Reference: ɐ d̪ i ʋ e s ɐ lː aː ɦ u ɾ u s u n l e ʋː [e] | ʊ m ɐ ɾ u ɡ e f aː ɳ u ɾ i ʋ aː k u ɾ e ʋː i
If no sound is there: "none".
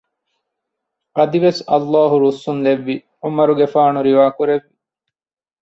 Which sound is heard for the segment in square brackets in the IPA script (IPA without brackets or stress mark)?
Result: i